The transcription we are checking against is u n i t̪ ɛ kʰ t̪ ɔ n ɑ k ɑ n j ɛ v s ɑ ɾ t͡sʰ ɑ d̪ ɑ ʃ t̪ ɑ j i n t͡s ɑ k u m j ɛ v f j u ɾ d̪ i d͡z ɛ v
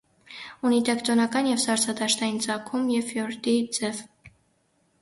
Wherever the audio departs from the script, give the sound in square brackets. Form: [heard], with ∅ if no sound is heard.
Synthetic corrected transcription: u n i t̪ ɛ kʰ t̪ ɔ n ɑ k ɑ n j ɛ v s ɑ ɾ t͡sʰ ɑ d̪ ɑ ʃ t̪ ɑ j i n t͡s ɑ [kʰ] u m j ɛ v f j [ɔ] ɾ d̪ i d͡z ɛ v